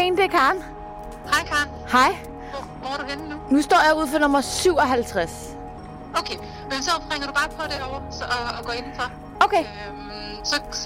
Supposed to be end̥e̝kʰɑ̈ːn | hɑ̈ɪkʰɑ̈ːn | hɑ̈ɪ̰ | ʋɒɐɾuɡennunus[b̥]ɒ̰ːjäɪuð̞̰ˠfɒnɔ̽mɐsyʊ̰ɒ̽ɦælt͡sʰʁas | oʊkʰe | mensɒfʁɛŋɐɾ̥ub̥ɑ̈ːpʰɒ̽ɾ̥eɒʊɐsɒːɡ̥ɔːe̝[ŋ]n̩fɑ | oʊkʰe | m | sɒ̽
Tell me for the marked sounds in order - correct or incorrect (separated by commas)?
incorrect, incorrect